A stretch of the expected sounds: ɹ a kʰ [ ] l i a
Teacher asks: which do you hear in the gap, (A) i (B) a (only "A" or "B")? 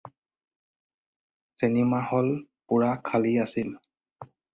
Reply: B